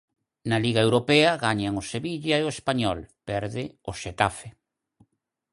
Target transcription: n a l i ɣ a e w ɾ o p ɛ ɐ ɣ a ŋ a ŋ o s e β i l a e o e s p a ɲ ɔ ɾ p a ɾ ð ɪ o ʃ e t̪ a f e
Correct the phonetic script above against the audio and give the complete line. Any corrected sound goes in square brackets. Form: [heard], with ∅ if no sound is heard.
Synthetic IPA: n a l i ɣ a e w ɾ o p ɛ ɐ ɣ a [ɲ] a ŋ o s e β i [ʎ] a e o e s p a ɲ ɔ [l] p [ɛ] ɾ ð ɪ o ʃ e t̪ a f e